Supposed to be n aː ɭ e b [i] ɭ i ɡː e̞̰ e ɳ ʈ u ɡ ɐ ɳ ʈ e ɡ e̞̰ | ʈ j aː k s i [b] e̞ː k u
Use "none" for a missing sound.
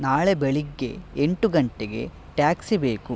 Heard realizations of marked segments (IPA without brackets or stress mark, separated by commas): e, b